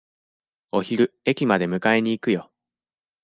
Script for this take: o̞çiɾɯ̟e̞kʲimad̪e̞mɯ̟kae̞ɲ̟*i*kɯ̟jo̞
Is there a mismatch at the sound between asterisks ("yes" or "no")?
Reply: yes